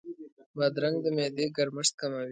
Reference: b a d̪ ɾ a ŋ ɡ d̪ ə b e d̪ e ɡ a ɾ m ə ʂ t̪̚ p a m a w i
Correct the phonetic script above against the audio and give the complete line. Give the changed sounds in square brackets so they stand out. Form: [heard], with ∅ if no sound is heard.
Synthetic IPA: b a d̪ ɾ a ŋ ɡ d̪ ə [m] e d̪ e ɡ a ɾ m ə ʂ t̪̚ [k] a m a w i